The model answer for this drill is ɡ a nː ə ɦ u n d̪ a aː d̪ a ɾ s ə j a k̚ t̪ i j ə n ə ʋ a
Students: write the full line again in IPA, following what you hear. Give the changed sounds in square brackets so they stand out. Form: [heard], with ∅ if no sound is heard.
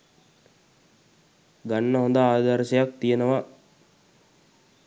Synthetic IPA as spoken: ɡ a nː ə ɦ [o] n d̪ a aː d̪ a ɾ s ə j a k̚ t̪ i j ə n ə ʋ a